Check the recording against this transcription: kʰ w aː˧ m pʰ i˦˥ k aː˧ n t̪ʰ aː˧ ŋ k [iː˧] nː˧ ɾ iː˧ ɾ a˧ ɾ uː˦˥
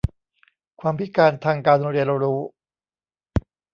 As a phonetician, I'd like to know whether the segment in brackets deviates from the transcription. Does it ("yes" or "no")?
yes